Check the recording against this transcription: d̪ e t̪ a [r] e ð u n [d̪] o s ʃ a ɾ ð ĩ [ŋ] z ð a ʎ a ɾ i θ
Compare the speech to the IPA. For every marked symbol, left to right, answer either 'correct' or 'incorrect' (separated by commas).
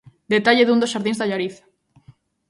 incorrect, correct, incorrect